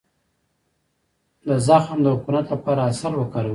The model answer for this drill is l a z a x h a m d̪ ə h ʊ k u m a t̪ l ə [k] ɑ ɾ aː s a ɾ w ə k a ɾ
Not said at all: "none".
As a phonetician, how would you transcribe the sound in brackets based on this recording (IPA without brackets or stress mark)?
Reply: p